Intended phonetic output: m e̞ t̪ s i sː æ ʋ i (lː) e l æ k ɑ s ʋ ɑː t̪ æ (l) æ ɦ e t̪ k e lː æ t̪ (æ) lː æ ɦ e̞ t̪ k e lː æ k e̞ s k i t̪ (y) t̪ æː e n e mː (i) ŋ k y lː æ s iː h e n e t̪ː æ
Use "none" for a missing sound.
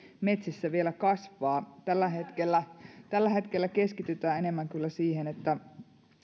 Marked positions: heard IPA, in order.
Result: none, lː, æ, y, æ

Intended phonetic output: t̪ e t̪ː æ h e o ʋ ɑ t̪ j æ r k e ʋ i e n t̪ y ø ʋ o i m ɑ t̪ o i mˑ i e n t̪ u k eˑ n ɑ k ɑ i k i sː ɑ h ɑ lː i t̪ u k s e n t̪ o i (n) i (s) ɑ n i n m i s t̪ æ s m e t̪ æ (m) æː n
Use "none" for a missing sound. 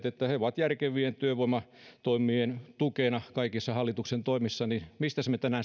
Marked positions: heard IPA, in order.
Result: m, sː, n

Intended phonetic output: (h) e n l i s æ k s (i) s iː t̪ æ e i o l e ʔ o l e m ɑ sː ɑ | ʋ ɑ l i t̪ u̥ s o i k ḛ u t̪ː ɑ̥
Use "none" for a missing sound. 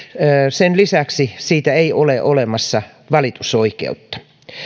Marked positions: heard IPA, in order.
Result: s, i

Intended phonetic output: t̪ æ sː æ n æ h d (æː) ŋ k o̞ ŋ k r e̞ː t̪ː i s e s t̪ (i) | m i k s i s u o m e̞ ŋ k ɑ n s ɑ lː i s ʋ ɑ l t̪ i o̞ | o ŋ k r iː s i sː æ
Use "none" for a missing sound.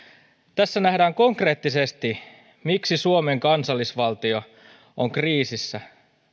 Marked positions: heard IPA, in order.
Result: æː, i

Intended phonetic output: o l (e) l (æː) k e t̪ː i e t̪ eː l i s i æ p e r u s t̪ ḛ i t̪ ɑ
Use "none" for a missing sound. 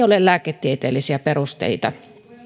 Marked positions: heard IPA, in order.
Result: e, æː

